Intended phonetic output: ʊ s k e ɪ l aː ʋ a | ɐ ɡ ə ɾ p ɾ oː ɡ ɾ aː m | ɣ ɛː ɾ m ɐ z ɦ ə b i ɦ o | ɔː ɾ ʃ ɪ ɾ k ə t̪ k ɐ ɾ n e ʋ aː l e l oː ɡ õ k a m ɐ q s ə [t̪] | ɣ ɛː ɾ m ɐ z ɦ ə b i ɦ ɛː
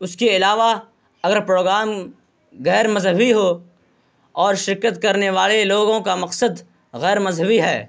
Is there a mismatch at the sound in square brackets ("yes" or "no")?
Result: yes